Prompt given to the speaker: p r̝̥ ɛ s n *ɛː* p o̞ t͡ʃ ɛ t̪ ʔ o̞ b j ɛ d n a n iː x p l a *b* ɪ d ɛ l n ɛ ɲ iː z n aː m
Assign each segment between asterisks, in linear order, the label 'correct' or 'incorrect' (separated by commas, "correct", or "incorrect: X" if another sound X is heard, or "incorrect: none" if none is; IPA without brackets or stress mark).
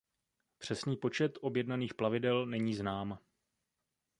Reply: incorrect: iː, incorrect: v